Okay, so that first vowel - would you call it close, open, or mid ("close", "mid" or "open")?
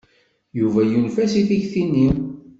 close